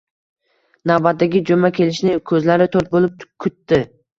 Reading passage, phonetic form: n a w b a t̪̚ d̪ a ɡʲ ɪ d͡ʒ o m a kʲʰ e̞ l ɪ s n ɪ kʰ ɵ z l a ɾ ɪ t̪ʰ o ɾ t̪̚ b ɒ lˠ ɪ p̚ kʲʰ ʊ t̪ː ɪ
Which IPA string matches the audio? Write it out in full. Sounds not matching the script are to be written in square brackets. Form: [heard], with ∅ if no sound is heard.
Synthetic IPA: n a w b a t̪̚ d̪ a ɡʲ ɪ d͡ʒ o m a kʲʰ e̞ l ɪ [ʃ] n ɪ kʰ ɵ z l a ɾ ɪ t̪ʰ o ɾ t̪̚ b [o] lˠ ɪ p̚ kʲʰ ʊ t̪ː ɪ

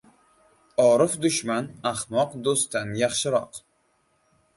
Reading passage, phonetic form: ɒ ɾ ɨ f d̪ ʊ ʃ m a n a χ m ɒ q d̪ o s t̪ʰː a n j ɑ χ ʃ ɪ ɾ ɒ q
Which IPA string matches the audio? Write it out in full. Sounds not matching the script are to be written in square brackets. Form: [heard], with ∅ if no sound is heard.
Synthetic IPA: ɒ ɾ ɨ f d̪ ʊ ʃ m a n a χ m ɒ q d̪ o s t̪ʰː a n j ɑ χ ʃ ɪ ɾ ɒ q

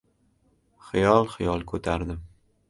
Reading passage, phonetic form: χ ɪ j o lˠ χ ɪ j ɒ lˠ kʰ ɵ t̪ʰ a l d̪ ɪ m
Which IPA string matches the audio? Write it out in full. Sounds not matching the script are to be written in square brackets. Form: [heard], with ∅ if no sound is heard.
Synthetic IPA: χ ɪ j [ɒ] lˠ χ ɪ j ɒ lˠ kʰ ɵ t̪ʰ a [ɾ] d̪ ɪ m

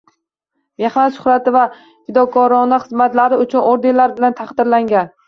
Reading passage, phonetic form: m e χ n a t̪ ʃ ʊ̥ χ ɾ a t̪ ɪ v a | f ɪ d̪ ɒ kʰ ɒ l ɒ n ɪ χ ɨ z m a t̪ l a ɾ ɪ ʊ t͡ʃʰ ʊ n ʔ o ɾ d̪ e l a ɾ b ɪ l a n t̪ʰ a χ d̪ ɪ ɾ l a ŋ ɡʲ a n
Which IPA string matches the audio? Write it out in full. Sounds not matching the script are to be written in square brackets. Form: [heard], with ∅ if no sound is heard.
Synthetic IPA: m e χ n a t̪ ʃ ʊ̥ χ ɾ a t̪ ɪ v a | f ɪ d̪ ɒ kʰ ɒ [ɾ] ɒ n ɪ χ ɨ z m a t̪ l a ɾ ɪ ʊ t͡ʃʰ ʊ n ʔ o ɾ d̪ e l a ɾ b ɪ l a n t̪ʰ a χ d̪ ɪ ɾ l a ŋ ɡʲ a n

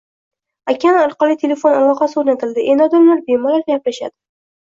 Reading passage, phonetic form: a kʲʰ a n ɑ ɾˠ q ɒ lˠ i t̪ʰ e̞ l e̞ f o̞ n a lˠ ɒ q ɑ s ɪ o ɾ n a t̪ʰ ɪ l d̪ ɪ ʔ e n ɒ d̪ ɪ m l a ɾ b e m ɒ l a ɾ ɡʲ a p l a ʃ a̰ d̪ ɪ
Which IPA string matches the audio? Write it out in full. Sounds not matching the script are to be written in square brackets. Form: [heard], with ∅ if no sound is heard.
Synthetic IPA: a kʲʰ a n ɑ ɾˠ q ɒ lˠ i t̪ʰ e̞ l e̞ f o̞ n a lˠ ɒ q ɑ s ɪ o ɾ n a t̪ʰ ɪ l d̪ ɪ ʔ e n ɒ d̪ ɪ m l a ɾ b e m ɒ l a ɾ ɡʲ a p l a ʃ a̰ d̪ ɪ

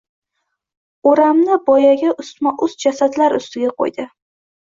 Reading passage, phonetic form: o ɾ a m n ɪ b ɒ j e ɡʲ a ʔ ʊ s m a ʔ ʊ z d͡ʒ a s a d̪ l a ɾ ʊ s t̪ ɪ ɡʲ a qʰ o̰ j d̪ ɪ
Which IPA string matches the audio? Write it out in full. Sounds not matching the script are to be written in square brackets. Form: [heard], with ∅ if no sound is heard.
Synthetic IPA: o ɾ a m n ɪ b ɒ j [a] ɡʲ a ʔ ʊ s m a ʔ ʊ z d͡ʒ a s a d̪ l a ɾ ʊ s t̪ ɪ ɡʲ a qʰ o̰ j d̪ ɪ

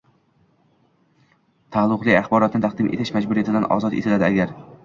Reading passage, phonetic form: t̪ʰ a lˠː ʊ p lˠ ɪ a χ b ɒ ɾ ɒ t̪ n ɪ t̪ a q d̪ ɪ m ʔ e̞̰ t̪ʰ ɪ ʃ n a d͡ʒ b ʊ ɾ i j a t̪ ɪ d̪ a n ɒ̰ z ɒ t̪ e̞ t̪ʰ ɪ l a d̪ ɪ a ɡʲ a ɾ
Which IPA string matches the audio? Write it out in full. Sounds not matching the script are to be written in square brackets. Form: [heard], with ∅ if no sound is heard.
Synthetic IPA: t̪ʰ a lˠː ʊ [q] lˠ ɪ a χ b ɒ ɾ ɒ t̪ n ɪ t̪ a q d̪ ɪ m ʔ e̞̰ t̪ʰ ɪ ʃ [m] a d͡ʒ b ʊ ɾ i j a t̪ ɪ d̪ a n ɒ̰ z ɒ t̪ e̞ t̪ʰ ɪ l a d̪ ɪ a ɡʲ a ɾ

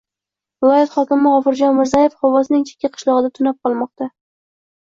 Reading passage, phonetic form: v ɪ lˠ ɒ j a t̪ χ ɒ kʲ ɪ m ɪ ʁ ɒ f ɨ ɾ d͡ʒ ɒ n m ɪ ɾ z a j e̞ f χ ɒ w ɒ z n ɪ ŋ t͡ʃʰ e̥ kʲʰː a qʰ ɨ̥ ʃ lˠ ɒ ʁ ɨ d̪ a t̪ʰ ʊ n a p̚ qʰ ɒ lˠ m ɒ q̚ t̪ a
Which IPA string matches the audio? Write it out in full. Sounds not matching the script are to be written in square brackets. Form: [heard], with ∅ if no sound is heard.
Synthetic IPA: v ɪ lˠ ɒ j a t̪ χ ɒ kʲ ɪ m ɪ ʁ ɒ f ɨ ɾ d͡ʒ ɒ n m ɪ ɾ z a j e̞ f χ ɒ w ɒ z n ɪ ŋ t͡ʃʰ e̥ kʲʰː a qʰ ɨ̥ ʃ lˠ ɒ ʁ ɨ d̪ a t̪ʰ ʊ n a p̚ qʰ ɒ lˠ m ɒ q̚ t̪ a

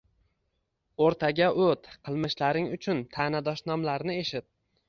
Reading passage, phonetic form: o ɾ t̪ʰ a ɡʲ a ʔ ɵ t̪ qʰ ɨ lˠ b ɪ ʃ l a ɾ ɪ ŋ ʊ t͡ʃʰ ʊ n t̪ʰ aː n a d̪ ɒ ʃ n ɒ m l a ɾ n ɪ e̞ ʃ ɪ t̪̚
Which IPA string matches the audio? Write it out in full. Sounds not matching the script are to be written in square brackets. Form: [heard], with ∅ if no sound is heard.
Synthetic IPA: o ɾ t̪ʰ a ɡʲ a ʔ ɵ t̪ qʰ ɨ lˠ [m] ɪ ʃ l a ɾ ɪ ŋ ʊ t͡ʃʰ ʊ n t̪ʰ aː n a d̪ ɒ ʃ n ɒ m l a ɾ n ɪ e̞ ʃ ɪ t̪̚

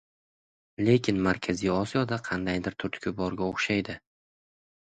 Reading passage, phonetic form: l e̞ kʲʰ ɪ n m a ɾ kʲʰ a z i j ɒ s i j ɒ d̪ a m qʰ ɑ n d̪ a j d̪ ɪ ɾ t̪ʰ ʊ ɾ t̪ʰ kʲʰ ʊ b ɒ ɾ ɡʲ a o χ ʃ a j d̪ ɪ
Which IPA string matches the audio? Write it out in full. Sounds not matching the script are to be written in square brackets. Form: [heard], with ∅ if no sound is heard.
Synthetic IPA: l e̞ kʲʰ ɪ n m a ɾ kʲʰ a z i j ɒ s i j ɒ d̪ a [∅] qʰ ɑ n d̪ a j d̪ ɪ ɾ t̪ʰ ʊ ɾ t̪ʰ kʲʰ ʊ b ɒ ɾ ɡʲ a o χ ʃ a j d̪ ɪ

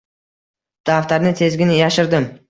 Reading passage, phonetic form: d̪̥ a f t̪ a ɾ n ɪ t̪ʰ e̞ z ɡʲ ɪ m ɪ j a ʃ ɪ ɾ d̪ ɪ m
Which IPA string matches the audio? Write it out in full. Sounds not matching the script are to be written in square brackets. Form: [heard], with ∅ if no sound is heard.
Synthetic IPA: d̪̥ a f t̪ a ɾ n ɪ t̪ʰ e̞ z ɡʲ ɪ [n] ɪ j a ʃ ɪ ɾ d̪ ɪ m

